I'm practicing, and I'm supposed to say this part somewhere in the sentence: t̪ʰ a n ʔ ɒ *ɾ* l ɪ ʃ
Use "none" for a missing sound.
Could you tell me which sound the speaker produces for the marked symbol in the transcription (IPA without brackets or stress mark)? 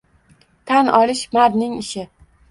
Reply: none